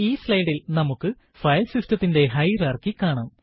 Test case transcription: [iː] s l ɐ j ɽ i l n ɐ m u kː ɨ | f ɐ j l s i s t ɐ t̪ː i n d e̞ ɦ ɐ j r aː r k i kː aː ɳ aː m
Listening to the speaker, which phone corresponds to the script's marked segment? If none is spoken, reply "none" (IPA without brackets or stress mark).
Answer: iː